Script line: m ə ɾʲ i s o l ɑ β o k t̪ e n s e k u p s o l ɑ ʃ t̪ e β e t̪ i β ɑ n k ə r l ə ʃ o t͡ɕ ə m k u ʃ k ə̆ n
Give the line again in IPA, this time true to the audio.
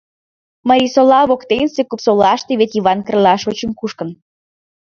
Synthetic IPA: m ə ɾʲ i s o l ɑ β o k t̪ e n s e k u p s o l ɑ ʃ t̪ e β e t̪ i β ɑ n k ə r l ɑ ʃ o t͡ɕ ə m k u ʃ k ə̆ n